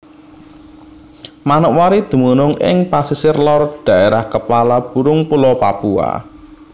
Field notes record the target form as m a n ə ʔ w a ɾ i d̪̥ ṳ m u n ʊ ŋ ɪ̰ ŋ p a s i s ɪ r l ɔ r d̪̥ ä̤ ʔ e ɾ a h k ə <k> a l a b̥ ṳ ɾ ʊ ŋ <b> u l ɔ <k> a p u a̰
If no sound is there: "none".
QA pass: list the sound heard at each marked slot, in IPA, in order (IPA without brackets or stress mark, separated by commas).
p, p, p